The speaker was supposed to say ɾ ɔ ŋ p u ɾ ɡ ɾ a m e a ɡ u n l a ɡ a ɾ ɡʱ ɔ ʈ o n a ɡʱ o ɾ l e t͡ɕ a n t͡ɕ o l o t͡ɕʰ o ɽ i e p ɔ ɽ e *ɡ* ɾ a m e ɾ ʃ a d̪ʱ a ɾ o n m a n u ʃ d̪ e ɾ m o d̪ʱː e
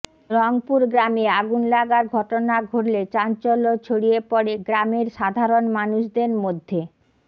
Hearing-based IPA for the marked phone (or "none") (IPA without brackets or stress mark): ɡ